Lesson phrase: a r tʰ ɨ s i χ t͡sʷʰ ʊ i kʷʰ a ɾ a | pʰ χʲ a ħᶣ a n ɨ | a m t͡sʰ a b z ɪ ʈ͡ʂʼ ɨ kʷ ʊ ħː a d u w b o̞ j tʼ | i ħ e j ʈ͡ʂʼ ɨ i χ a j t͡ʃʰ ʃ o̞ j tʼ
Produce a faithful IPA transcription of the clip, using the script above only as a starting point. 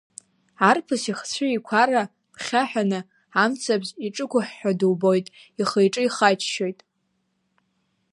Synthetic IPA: a r pʰ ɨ s i χ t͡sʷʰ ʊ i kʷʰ a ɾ a | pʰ χʲ a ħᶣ a n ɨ | a m t͡sʰ a b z i ʈ͡ʂʼ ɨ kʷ ʊ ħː a d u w b o̞ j tʼ | i χ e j ʈ͡ʂʼ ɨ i χ a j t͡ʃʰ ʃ o̞ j tʼ